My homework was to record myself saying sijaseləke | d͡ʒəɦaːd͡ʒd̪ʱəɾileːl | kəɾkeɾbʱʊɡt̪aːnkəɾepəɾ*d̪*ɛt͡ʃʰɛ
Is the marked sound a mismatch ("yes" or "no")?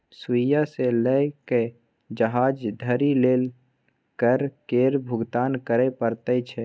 yes